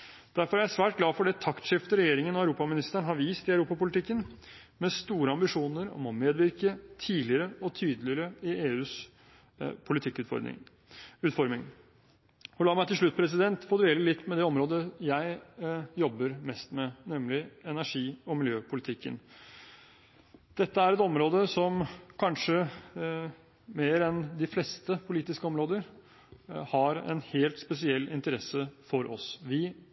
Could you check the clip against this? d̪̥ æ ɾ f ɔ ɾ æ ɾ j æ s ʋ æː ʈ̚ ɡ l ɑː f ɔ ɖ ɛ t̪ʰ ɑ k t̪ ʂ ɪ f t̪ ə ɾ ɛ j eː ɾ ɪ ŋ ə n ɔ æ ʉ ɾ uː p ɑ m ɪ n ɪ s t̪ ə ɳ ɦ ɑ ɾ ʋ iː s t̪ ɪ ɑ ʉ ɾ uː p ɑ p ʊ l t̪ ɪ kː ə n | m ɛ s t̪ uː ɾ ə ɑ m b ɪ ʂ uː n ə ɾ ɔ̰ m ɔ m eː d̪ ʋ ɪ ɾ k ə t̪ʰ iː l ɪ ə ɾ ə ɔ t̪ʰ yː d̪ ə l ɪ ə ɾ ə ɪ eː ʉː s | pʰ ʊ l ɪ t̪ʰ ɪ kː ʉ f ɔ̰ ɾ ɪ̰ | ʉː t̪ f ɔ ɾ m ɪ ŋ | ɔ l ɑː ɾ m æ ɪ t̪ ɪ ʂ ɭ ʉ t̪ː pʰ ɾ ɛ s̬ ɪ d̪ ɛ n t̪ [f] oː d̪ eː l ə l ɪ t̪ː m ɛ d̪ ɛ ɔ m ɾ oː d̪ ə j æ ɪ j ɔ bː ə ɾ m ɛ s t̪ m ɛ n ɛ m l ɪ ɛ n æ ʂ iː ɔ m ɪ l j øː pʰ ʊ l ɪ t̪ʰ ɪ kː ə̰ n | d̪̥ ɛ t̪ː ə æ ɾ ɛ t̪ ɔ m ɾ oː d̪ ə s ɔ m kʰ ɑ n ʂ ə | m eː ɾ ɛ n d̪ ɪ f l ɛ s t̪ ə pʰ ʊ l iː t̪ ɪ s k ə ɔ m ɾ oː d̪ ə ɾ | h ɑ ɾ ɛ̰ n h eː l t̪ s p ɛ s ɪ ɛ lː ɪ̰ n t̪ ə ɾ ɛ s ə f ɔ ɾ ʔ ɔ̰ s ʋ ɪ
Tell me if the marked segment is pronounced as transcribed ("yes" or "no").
yes